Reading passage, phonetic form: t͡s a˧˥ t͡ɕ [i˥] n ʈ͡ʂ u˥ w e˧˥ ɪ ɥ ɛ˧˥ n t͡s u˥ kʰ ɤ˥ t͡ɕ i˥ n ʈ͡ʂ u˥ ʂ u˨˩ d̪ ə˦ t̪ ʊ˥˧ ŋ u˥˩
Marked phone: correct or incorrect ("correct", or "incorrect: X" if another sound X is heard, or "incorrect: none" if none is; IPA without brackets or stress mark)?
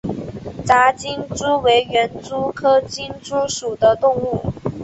correct